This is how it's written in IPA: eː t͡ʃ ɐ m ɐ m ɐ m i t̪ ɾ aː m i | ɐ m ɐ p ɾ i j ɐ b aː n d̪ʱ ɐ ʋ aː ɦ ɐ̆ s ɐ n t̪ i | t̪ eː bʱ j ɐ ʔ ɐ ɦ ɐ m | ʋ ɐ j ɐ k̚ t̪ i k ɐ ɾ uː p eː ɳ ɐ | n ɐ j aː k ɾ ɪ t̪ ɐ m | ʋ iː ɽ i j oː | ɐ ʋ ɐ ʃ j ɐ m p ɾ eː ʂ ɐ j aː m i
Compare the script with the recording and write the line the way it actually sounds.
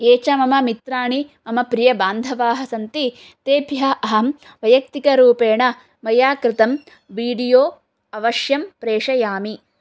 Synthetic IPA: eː t͡ʃ ɐ m ɐ m ɐ m i t̪ ɾ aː ɳ i | ɐ m ɐ p ɾ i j ɐ b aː n d̪ʱ ɐ ʋ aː ɦ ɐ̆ s ɐ n t̪ i | t̪ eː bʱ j ɐ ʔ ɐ ɦ ɐ m | ʋ ɐ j ɐ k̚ t̪ i k ɐ ɾ uː p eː ɳ ɐ | m ɐ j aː k ɾ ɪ t̪ ɐ m | ʋ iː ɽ i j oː | ɐ ʋ ɐ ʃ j ɐ m p ɾ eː ʂ ɐ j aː m i